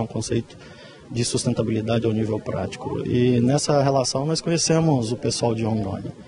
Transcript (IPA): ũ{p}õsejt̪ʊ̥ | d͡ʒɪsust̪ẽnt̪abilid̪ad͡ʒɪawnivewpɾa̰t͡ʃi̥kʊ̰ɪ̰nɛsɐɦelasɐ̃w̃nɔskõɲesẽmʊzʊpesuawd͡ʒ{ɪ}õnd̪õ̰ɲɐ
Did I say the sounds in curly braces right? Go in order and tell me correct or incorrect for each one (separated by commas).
incorrect, correct